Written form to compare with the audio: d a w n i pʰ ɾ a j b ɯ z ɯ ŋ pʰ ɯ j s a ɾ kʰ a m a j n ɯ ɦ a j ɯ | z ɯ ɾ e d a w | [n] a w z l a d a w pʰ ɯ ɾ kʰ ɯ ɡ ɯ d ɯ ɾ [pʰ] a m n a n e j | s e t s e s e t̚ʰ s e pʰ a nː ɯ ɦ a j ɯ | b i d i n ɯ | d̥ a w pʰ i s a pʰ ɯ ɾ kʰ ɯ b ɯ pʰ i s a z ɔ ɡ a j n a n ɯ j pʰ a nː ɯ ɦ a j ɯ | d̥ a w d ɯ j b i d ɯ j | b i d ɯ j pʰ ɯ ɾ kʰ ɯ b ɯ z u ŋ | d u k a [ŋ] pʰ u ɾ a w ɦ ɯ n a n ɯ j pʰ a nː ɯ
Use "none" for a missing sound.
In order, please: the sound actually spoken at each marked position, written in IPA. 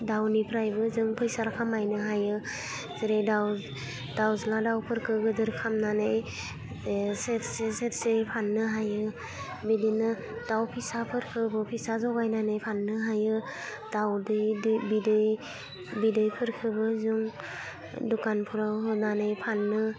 d, kʰ, n

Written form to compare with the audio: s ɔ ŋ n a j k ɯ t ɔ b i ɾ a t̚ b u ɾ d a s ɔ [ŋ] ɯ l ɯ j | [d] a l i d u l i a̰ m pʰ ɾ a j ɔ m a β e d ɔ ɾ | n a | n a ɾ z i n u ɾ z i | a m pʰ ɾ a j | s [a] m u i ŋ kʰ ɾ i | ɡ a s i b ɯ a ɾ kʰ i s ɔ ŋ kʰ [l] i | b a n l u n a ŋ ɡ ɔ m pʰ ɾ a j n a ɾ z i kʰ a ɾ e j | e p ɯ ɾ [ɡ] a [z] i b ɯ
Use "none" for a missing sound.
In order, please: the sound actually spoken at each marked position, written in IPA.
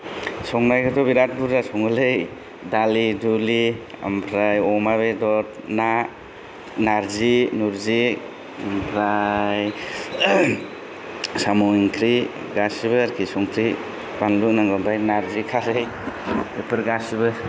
ŋ, d, a, ɾ, ɡ, s

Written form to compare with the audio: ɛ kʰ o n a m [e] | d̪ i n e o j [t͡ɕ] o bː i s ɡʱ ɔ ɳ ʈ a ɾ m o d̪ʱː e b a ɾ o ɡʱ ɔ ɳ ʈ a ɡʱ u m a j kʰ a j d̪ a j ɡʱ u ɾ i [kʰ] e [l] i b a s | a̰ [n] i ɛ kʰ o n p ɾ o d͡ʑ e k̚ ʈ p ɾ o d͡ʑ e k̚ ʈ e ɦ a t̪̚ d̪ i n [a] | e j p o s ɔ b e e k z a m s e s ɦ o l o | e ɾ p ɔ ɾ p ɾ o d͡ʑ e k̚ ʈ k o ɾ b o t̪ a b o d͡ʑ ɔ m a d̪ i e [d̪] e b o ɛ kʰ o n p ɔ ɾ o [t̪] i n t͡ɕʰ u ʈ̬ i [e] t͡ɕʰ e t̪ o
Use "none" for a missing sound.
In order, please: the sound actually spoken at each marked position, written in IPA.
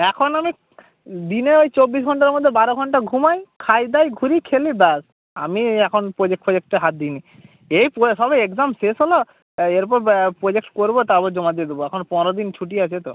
i, t͡ɕ, kʰ, l, m, i, d̪, d̪, a

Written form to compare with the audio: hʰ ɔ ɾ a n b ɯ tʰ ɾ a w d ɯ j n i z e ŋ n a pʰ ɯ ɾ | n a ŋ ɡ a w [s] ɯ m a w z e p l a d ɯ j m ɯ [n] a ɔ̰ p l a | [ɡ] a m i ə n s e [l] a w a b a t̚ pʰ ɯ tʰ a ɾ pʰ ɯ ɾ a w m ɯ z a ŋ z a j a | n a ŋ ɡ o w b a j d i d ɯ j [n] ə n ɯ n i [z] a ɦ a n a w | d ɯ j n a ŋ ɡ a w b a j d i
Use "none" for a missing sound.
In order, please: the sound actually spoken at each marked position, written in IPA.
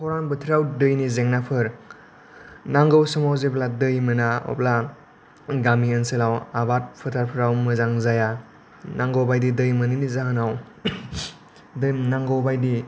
s, n, ɡ, l, m, z

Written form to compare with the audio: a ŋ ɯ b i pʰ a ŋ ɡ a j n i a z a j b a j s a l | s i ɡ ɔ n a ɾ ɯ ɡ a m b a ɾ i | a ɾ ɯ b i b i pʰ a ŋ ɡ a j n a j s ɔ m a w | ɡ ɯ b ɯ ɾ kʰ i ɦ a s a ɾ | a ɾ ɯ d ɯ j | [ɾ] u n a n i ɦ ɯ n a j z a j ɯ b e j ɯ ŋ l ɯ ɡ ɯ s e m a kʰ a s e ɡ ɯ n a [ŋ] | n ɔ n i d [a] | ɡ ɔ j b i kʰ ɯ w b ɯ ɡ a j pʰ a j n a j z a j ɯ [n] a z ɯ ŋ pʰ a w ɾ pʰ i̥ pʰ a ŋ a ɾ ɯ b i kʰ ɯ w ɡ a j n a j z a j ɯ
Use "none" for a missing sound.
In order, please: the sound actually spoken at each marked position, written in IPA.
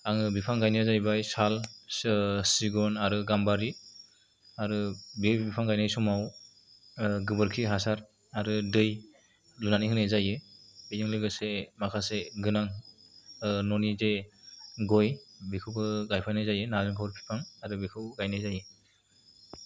l, ŋ, e, n

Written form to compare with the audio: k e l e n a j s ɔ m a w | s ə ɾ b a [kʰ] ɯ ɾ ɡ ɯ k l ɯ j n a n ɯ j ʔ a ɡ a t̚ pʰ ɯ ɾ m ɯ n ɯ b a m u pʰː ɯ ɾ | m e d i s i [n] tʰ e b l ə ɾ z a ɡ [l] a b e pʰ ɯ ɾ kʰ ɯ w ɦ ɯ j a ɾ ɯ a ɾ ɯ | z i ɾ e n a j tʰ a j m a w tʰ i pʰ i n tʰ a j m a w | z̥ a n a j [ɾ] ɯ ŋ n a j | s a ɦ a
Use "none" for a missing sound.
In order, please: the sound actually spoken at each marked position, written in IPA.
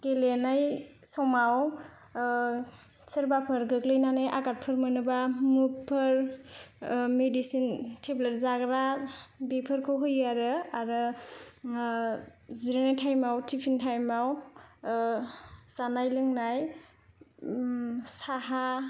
pʰ, n, ɾ, l

